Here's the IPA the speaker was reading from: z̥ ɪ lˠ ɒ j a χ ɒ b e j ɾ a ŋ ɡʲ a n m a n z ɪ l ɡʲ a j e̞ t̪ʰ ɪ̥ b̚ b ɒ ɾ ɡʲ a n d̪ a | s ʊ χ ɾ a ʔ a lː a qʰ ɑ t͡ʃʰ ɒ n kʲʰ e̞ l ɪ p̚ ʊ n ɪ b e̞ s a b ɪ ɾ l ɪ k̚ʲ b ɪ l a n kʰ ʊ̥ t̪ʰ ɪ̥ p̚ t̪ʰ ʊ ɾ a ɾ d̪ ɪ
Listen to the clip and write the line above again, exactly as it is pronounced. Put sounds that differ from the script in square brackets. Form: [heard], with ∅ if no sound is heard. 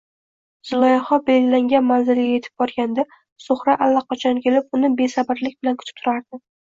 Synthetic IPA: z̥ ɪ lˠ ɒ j a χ ɒ b e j [l] a ŋ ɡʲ a n m a n z ɪ l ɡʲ a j e̞ t̪ʰ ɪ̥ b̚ b ɒ ɾ ɡʲ a n d̪ a | s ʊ χ ɾ a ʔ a lː a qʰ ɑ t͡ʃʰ ɒ n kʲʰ e̞ l ɪ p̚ ʊ n ɪ b e̞ s a b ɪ ɾ l ɪ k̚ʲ b ɪ l a n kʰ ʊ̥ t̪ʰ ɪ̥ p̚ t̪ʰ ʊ ɾ a ɾ d̪ ɪ